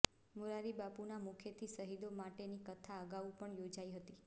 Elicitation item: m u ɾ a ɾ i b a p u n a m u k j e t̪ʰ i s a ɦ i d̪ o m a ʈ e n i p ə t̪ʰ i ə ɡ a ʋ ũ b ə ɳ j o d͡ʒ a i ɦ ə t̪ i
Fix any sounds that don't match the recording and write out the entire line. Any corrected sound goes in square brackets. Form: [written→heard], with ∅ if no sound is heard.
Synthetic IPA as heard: m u ɾ a ɾ i b a p u n a m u [k→kʰ] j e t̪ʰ i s [a→ə] ɦ i d̪ o m a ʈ e n i [p→k] ə t̪ʰ [i→a] ə ɡ a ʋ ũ [b→p] ə ɳ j o d͡ʒ a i ɦ ə t̪ i

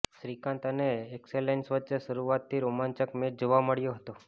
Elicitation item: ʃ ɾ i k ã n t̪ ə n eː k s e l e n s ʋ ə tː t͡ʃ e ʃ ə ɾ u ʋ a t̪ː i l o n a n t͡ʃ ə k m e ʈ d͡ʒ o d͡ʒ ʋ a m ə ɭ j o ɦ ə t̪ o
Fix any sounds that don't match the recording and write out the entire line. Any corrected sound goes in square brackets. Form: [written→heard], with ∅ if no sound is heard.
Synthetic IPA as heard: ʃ ɾ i k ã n t̪ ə n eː k s e l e n s ʋ ə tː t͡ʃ e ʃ ə ɾ u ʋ a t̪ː i [l→ɾ] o [n→m] a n t͡ʃ ə k m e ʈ d͡ʒ o [d͡ʒ→∅] ʋ a m ə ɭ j o ɦ ə t̪ o

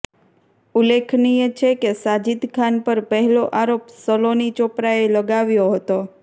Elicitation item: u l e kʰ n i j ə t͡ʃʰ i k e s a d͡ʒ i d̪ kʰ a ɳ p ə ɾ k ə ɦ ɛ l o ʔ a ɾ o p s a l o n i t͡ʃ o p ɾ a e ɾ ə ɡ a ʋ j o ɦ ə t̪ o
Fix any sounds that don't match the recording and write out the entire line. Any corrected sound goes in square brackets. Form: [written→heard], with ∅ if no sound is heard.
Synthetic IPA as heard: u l e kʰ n i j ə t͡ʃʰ [i→e] k e s a d͡ʒ i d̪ kʰ a [ɳ→n] p ə ɾ [k→p] ə ɦ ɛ l o ʔ a ɾ o p s [a→ə] l o n i t͡ʃ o p ɾ a e [ɾ→l] ə ɡ a ʋ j o ɦ ə t̪ o

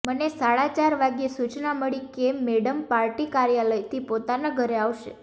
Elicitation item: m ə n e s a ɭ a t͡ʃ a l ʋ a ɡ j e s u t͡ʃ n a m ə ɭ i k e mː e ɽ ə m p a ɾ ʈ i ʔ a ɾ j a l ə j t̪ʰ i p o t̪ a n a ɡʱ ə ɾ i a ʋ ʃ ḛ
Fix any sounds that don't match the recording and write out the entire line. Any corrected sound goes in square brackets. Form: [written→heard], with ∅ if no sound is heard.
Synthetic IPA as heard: m ə n e s a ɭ a t͡ʃ a [l→ɾ] ʋ a ɡ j e s u t͡ʃ n a m ə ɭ i k e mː e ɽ ə m p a ɾ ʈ i [ʔ→k] a ɾ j a l ə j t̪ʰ i p o t̪ a n a ɡʱ ə ɾ [i→e] a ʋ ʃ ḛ

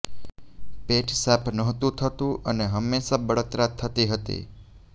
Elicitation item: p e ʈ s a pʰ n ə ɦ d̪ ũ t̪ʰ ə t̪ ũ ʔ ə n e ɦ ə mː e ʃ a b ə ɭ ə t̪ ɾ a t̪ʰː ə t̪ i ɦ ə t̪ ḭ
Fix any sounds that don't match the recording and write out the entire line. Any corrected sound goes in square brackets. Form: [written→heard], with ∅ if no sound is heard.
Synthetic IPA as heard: p e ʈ s a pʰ n ə ɦ [d̪→t̪] ũ t̪ʰ ə t̪ ũ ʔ ə n e ɦ ə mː e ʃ a b ə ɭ ə t̪ ɾ a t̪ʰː ə t̪ i ɦ ə t̪ ḭ

